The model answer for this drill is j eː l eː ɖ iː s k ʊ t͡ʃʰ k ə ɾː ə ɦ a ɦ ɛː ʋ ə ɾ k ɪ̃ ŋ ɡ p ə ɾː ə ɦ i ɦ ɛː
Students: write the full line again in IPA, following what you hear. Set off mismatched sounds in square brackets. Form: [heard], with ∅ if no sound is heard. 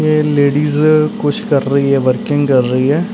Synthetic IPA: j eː l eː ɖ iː [z] k ʊ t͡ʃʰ k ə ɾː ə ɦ [i] ɦ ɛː ʋ ə ɾ k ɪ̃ ŋ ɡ [k] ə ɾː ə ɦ i ɦ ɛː